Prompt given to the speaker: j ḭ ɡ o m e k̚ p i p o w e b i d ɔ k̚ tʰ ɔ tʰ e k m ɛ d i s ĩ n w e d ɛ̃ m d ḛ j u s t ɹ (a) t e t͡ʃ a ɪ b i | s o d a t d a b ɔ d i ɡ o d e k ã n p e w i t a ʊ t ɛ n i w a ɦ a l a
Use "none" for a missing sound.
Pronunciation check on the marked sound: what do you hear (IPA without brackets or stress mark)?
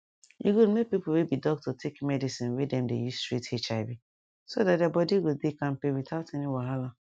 i